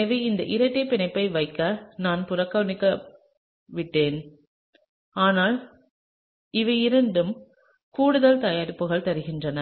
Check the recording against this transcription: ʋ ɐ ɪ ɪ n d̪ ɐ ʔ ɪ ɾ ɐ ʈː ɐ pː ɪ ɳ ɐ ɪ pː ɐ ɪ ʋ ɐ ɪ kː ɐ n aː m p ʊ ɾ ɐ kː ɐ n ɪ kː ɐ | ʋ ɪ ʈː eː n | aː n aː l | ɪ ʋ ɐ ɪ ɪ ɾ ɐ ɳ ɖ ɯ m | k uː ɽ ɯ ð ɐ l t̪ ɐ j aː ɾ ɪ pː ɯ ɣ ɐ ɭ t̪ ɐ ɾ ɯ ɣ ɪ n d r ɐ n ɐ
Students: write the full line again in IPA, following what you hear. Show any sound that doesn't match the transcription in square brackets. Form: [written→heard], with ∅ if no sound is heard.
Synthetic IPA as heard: ʋ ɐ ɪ ɪ n d̪ ɐ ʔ ɪ ɾ ɐ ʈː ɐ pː ɪ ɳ ɐ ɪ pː ɐ ɪ ʋ ɐ ɪ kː ɐ n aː [m→n] p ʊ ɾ ɐ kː ɐ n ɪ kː ɐ | ʋ ɪ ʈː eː n | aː n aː l | ɪ ʋ ɐ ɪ ɪ ɾ ɐ ɳ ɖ ɯ m | k uː ɽ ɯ ð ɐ l t̪ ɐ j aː ɾ ɪ pː ɯ ɣ ɐ ɭ t̪ ɐ ɾ ɯ ɣ ɪ n d r ɐ n ɐ